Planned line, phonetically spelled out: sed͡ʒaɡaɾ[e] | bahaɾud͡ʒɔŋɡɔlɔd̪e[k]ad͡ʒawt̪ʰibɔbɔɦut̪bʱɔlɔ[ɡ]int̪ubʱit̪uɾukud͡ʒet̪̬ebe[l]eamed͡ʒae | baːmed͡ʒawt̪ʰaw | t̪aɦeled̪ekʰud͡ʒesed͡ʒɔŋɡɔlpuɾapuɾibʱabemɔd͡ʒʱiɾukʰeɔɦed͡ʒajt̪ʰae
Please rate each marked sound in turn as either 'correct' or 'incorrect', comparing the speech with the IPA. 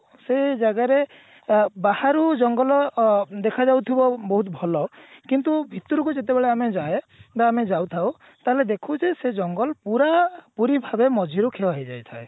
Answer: correct, incorrect, incorrect, incorrect

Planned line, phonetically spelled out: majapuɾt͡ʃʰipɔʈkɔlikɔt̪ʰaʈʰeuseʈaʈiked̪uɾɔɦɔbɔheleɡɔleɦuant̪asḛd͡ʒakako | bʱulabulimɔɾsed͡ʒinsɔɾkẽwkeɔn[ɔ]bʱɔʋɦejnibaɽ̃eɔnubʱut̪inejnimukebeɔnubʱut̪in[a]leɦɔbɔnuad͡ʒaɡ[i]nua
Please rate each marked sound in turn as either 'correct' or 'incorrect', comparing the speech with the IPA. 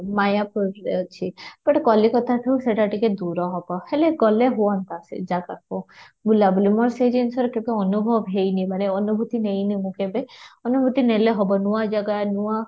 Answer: incorrect, incorrect, incorrect

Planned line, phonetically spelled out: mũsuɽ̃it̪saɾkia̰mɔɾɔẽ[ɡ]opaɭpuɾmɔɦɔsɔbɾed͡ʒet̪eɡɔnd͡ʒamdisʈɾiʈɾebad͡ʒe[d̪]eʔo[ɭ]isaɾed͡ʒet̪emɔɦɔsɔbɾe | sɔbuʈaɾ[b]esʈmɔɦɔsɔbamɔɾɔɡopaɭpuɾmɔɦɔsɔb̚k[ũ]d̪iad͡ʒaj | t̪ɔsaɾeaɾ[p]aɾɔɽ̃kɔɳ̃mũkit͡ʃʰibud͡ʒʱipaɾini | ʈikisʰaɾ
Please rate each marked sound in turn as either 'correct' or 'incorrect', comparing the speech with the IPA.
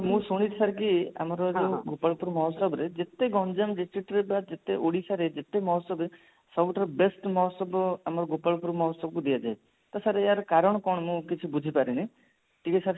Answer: correct, incorrect, incorrect, correct, incorrect, incorrect

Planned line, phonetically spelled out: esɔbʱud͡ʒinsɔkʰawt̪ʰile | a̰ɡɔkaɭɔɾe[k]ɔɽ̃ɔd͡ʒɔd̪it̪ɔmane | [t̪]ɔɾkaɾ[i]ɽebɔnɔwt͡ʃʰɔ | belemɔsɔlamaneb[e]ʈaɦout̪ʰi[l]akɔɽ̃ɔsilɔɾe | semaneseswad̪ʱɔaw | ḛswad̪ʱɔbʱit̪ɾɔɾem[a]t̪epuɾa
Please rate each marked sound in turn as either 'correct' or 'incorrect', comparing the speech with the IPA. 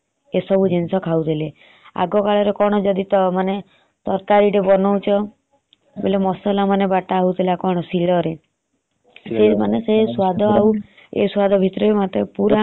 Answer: correct, correct, correct, incorrect, correct, correct

